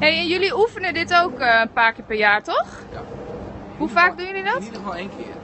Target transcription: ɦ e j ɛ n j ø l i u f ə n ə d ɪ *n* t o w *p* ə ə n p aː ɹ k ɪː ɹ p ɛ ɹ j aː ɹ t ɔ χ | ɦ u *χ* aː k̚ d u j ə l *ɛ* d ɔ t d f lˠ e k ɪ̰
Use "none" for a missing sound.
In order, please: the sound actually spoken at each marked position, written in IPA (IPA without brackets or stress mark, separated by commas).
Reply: none, k, f, i